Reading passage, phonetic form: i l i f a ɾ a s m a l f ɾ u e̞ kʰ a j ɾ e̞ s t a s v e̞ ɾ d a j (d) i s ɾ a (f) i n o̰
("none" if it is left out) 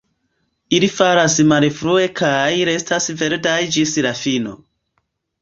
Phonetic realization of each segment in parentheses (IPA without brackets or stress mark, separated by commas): d͡ʒ, f